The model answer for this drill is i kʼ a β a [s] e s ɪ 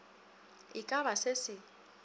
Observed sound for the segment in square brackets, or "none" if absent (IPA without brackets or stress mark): s